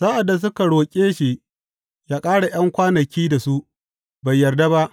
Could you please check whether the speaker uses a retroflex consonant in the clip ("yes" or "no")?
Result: yes